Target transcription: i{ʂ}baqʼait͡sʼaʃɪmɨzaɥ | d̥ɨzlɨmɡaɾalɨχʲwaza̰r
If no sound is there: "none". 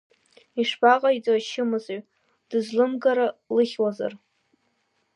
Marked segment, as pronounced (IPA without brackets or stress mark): ʂ